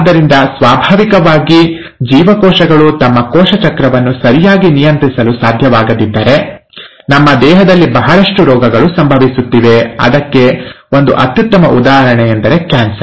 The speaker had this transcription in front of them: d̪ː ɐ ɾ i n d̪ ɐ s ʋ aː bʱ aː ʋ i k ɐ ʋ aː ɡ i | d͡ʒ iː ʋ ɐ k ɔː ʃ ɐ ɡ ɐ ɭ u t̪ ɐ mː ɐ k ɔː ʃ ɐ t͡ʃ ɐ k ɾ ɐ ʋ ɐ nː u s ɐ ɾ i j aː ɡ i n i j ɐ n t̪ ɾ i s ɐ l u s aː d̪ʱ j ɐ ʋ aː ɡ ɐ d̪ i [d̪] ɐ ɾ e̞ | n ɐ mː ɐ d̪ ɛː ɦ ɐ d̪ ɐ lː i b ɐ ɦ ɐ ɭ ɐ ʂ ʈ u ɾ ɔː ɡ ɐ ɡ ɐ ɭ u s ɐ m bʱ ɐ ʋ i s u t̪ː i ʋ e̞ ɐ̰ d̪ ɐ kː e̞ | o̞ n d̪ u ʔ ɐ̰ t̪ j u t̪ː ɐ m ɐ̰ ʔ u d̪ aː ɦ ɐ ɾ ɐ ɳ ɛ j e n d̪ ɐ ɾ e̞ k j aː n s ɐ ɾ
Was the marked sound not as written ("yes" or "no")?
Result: yes